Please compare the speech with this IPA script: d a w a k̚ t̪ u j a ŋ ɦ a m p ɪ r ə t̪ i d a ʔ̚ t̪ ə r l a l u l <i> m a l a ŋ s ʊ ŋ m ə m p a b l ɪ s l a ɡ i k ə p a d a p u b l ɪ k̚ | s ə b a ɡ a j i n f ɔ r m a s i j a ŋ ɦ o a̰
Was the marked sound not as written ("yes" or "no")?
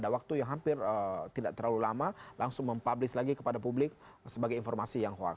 yes